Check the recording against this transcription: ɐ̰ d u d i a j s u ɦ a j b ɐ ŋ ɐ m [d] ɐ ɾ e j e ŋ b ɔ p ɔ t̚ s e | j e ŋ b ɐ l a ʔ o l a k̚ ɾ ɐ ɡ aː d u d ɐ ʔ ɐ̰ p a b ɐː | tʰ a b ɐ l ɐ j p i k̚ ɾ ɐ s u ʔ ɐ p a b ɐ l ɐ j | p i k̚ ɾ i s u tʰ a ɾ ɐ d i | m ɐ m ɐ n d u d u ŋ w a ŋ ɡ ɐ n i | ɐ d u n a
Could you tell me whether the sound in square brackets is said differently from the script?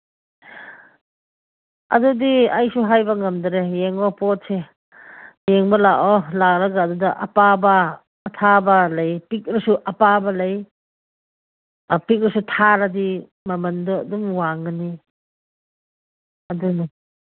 no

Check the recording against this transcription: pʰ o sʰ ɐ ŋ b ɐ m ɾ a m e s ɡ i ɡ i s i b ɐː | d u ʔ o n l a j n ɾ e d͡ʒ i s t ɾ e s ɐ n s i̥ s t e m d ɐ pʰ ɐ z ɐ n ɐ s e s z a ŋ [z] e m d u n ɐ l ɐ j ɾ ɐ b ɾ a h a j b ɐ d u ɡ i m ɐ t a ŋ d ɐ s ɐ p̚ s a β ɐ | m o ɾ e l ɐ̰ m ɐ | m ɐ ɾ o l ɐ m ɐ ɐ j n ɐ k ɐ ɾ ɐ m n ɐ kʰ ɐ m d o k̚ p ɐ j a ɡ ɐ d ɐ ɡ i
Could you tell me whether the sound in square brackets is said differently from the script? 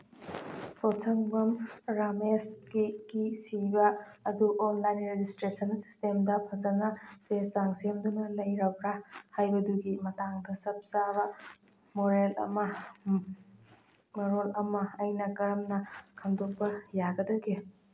yes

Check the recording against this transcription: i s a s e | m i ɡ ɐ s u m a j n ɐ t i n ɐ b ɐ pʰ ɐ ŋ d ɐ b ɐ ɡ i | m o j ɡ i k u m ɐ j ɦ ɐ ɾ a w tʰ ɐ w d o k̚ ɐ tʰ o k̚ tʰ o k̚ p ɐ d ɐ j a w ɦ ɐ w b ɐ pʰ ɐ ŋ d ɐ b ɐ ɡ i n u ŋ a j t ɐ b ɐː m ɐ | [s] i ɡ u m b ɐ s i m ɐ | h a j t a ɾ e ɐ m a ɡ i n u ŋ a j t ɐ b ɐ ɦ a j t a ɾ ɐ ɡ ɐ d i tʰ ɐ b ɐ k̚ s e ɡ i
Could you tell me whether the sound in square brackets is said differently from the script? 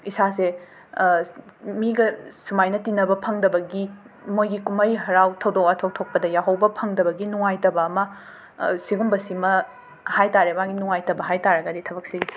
no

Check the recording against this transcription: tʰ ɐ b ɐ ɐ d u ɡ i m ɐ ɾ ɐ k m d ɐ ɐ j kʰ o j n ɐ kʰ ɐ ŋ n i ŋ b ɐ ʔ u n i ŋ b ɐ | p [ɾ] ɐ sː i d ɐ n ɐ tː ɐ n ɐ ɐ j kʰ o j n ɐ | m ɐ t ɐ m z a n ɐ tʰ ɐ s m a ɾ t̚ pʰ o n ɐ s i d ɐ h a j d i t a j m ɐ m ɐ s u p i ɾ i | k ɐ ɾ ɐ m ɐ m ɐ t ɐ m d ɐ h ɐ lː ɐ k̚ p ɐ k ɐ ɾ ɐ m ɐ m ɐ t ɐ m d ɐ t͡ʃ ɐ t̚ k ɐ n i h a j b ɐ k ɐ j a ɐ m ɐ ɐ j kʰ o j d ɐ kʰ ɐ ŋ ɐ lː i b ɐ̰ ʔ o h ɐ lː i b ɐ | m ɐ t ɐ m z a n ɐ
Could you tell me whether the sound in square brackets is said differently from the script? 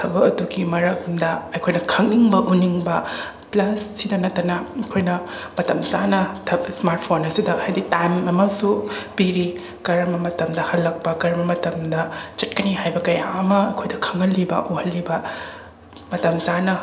yes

